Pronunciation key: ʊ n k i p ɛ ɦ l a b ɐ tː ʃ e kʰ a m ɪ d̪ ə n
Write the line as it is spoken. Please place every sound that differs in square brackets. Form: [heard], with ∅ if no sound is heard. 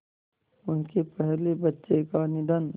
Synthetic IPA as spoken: ʊ n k [e] p ɛ ɦ l [e] b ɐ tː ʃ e [k] a [n] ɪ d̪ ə n